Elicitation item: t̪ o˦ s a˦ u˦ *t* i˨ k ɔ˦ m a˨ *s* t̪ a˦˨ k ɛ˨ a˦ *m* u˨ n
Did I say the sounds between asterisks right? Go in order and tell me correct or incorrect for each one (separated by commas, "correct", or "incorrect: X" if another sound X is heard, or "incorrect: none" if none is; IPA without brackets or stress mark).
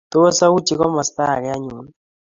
incorrect: t͡ʃ, correct, incorrect: ɲ